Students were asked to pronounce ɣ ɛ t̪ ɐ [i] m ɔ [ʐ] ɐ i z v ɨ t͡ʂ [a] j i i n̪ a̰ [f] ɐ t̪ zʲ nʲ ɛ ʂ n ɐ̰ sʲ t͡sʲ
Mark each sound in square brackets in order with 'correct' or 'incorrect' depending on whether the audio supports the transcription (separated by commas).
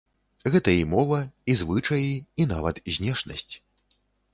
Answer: correct, incorrect, incorrect, incorrect